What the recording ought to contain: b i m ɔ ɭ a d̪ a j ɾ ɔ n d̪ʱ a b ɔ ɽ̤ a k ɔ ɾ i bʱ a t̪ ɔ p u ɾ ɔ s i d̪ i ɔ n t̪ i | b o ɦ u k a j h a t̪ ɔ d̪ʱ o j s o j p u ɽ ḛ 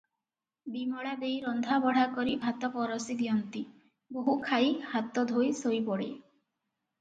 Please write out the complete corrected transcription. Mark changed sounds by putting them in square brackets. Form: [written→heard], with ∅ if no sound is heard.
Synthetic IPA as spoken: b i m ɔ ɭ a d̪ [a→e] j ɾ ɔ n d̪ʱ a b ɔ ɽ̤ a k ɔ ɾ i bʱ a t̪ ɔ p [u→ɔ] ɾ ɔ s i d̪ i ɔ n t̪ i | b o ɦ u [k→kʰ] a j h a t̪ ɔ d̪ʱ o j s o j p [u→ɔ] ɽ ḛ